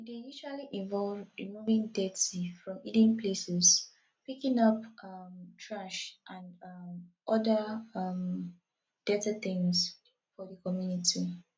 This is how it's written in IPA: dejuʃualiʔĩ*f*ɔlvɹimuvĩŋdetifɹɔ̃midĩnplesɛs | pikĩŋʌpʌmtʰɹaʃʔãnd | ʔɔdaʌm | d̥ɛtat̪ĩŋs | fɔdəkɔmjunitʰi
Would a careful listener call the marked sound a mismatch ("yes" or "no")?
yes